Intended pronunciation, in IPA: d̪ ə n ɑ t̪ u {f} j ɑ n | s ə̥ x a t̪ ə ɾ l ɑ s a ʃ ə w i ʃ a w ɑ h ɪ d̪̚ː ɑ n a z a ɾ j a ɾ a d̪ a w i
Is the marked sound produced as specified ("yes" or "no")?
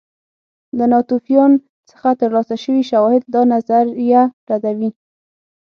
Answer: yes